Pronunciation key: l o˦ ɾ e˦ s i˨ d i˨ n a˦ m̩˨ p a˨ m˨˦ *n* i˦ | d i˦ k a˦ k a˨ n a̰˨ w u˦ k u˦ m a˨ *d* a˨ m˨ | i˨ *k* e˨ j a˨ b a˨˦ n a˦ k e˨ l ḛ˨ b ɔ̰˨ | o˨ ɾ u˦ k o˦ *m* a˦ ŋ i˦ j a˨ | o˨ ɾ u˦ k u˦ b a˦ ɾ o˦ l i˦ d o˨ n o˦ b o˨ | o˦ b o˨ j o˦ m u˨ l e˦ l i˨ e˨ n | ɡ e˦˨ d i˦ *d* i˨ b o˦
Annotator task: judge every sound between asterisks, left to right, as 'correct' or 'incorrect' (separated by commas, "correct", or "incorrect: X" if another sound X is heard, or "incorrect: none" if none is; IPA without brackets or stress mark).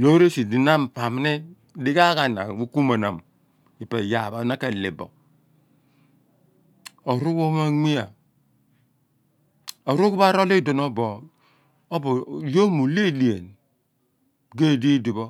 correct, incorrect: n, incorrect: p, correct, correct